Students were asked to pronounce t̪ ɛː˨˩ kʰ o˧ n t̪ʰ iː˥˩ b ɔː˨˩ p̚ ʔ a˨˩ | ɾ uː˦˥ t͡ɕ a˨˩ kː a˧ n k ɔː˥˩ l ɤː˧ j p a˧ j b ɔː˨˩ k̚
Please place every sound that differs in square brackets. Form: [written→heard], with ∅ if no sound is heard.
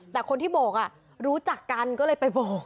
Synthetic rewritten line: t̪ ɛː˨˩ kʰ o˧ n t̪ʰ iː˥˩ b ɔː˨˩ [p̚→k̚] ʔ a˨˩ | ɾ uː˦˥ t͡ɕ a˨˩ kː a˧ n k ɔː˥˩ l ɤː˧ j p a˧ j b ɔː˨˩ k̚